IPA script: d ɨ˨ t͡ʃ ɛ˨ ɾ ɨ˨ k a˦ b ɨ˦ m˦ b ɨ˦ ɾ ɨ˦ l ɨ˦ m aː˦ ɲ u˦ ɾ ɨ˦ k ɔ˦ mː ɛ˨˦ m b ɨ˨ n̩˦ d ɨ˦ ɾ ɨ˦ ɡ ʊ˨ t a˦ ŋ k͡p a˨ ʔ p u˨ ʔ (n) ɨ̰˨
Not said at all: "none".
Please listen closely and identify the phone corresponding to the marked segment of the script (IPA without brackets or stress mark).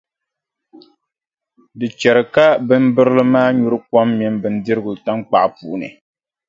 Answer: n